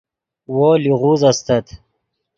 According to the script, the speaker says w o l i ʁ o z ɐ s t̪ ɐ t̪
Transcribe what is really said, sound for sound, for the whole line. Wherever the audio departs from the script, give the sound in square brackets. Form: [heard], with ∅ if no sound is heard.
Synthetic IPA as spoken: w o l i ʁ [u] z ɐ s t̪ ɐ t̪